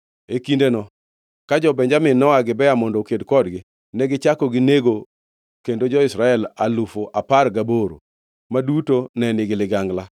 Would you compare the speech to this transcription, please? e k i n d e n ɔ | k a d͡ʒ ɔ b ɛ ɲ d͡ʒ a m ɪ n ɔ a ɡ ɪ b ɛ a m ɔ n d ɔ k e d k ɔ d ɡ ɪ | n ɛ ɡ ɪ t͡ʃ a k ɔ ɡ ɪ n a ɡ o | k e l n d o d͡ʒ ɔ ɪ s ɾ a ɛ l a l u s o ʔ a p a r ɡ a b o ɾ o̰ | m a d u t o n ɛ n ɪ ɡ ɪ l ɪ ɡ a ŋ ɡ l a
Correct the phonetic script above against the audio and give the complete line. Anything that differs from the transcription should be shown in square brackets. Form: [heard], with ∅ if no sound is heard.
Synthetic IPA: e k i n d e n ɔ | k a d͡ʒ ɔ b ɛ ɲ d͡ʒ a m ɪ n ɔ a ɡ ɪ b ɛ a m ɔ n d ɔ k e d k ɔ d ɡ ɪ | n ɛ ɡ ɪ t͡ʃ a k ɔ ɡ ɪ n [e] ɡ o | k e [∅] n d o d͡ʒ ɔ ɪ s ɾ a ɛ l a l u [f] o ʔ a p a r ɡ a b o ɾ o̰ | m a d u t o n ɛ n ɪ ɡ ɪ l ɪ ɡ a ŋ ɡ l a